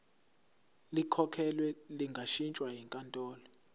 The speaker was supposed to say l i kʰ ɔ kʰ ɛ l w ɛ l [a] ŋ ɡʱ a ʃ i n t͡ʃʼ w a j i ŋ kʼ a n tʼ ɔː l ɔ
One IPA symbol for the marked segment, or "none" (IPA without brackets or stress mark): i